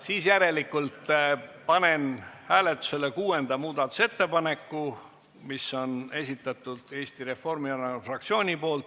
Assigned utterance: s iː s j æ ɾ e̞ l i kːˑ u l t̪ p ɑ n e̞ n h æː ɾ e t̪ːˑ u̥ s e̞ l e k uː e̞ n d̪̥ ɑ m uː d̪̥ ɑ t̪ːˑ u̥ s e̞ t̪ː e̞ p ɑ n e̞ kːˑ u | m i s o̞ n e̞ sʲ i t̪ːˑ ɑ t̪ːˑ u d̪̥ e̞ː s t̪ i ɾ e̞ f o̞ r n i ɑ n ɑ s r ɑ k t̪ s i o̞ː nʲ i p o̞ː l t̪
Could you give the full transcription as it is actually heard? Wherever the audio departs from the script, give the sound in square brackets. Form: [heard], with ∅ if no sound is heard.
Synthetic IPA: s iː s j æ ɾ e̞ l i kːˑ u l t̪ p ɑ n e̞ n h æː [l] e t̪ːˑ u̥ s e̞ l e k uː e̞ n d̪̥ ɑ m uː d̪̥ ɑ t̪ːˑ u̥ s e̞ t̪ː e̞ p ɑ n e̞ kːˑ u | m i s o̞ n e̞ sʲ i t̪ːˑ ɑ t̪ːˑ u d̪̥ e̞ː s t̪ i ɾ e̞ f o̞ r [m] i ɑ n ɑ [f] r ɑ k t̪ s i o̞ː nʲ i p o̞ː l t̪